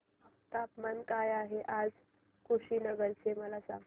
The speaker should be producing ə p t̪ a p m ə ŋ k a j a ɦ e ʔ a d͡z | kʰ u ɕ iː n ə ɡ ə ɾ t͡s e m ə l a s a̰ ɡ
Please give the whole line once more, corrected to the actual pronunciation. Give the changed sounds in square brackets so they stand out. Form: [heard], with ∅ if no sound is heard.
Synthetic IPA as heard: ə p t̪ a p m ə [n] k a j a ɦ e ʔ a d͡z | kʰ u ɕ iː n ə ɡ ə ɾ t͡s e m ə l a s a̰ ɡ